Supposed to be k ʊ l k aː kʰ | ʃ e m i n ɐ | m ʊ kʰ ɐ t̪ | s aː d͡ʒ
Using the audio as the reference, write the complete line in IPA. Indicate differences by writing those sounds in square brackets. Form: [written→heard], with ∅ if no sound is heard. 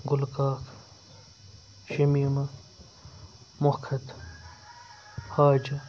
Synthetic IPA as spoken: [k→ɡ] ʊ l k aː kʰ | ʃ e m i [n→m] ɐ | m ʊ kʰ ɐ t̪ | [s→h] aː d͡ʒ